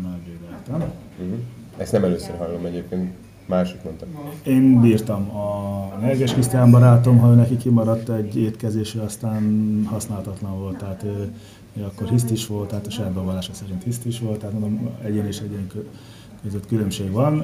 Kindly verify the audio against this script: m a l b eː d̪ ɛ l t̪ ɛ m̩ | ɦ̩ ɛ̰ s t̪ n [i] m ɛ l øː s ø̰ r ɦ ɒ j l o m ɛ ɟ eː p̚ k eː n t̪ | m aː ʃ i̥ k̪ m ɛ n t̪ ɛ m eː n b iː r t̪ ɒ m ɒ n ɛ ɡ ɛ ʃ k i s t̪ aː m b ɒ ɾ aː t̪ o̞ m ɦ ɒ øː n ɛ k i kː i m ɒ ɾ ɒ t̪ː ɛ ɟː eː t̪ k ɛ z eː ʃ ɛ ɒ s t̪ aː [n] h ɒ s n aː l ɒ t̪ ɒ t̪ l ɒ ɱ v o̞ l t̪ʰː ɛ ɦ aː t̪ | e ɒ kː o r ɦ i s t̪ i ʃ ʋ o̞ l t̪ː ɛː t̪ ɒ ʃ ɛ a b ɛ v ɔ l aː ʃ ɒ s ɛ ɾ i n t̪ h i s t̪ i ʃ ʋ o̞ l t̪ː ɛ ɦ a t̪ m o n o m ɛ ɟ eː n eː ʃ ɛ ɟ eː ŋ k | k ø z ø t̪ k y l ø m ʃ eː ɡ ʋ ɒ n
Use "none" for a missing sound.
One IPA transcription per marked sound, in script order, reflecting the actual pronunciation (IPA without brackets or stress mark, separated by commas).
ɛ, n